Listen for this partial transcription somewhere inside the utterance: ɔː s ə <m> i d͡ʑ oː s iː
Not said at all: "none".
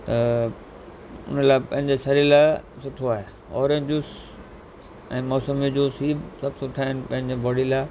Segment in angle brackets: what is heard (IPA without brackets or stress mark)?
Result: m